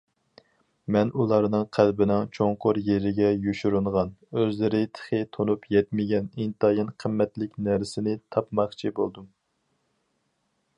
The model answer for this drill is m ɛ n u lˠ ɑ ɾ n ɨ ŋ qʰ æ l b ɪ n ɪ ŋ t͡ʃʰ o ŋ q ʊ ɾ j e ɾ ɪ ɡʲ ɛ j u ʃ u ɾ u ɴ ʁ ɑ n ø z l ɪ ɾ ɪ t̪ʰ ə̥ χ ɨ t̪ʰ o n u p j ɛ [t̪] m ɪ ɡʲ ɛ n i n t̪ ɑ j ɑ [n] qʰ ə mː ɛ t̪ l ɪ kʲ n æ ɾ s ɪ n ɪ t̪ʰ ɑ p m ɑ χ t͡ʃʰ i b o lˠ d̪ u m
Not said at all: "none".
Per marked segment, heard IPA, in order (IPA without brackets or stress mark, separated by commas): t̪, n